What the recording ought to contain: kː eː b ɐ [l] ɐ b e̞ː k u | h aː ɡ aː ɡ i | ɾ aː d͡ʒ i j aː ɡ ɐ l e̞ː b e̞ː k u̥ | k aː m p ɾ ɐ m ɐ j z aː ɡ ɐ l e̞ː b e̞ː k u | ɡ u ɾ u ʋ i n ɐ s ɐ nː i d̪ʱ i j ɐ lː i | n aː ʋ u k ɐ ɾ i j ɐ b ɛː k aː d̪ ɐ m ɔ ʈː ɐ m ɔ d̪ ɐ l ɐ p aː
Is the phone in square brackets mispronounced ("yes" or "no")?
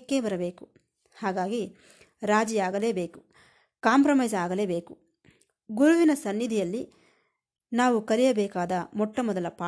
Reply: yes